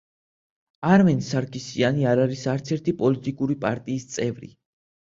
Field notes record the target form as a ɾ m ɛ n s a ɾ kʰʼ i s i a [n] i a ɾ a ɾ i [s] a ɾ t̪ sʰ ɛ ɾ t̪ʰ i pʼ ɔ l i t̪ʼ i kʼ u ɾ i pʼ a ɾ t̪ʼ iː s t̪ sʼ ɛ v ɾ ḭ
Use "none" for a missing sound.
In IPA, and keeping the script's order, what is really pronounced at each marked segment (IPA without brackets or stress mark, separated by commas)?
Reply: n, s